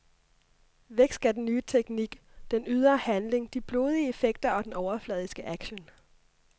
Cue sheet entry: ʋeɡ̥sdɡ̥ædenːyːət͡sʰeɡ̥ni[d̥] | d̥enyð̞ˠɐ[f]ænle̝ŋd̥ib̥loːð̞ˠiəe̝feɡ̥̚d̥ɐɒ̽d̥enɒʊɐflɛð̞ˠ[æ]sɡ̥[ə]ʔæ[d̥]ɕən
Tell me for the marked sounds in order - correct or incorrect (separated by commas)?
incorrect, incorrect, incorrect, correct, incorrect